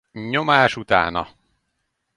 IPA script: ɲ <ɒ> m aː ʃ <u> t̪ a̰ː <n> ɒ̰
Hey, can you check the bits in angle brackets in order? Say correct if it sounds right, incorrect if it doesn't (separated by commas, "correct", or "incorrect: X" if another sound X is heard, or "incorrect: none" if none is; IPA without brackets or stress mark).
incorrect: o, correct, correct